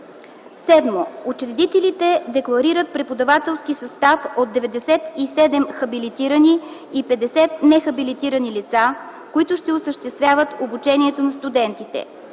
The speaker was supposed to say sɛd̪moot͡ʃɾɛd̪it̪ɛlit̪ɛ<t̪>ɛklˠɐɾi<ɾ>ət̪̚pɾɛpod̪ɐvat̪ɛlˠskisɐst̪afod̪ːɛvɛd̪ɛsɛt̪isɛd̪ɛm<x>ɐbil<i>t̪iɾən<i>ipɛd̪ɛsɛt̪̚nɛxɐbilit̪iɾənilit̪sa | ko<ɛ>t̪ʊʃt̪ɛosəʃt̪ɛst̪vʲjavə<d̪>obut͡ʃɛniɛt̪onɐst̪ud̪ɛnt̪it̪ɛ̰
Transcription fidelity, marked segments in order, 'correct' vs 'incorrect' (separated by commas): incorrect, correct, correct, correct, correct, incorrect, incorrect